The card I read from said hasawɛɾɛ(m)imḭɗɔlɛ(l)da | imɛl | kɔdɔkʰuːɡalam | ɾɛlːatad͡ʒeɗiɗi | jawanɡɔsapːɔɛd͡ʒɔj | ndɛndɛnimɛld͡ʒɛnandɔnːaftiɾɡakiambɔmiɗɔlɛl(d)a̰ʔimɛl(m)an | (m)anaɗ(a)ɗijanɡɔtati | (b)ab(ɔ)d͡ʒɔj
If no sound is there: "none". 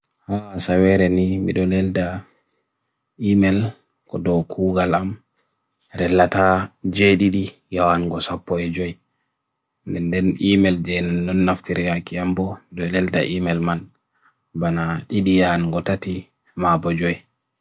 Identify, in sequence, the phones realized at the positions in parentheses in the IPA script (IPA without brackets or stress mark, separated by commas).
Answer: n, l, d, m, b, i, m, ɔ